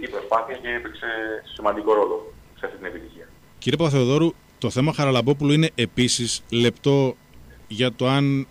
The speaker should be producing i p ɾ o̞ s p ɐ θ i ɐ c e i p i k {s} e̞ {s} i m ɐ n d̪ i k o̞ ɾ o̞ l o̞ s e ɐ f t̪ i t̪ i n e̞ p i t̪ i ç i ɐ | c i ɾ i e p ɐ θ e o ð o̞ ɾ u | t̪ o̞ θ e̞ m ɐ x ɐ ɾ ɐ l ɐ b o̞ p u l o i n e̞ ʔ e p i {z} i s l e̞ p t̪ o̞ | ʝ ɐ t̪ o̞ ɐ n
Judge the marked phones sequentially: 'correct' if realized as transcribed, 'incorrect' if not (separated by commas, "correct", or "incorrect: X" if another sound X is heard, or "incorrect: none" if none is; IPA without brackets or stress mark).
correct, correct, incorrect: s